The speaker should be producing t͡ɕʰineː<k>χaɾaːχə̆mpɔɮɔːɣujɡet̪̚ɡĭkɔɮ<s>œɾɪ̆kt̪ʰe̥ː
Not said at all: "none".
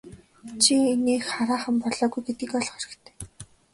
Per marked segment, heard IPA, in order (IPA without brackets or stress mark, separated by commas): x, χ